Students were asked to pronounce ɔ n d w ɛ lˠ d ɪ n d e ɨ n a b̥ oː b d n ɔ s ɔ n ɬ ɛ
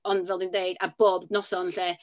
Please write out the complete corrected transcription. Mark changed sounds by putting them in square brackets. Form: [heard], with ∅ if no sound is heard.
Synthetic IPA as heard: ɔ n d [v] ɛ lˠ d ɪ n d e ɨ [d] a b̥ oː b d n ɔ s ɔ n ɬ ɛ